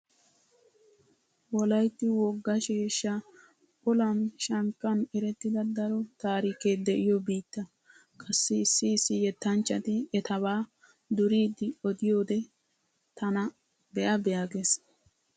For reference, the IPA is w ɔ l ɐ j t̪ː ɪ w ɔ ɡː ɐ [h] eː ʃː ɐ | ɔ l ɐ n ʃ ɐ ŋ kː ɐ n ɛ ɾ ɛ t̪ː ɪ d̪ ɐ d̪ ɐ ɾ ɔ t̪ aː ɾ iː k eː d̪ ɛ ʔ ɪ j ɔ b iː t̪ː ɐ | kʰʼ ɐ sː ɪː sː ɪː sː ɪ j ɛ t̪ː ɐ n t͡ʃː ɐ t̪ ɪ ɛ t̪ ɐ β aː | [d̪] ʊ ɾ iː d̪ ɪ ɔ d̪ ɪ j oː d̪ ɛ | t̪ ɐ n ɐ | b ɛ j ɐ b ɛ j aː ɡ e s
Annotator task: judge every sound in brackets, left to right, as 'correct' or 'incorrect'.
incorrect, correct

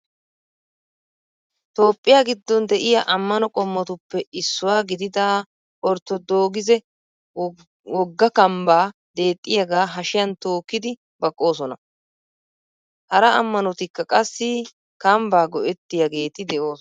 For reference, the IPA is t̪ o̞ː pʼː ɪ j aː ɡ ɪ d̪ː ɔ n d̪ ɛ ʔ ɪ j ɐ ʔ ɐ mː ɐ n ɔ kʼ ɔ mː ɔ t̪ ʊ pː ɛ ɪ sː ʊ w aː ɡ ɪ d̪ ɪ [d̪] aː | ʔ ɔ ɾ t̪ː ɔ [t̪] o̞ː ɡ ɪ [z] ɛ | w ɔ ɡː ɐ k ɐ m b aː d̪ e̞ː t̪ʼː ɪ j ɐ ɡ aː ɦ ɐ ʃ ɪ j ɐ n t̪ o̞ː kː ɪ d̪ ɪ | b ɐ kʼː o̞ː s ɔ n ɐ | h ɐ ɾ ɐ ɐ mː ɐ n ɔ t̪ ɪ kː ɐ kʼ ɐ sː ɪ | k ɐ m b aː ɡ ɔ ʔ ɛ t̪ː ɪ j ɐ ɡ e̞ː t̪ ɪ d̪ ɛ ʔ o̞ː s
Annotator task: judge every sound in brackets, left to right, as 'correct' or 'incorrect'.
correct, incorrect, correct

